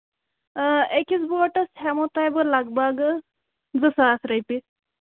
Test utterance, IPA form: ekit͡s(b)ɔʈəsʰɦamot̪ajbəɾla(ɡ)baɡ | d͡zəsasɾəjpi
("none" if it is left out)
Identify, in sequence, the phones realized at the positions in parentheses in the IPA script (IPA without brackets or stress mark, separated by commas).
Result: b, ɡ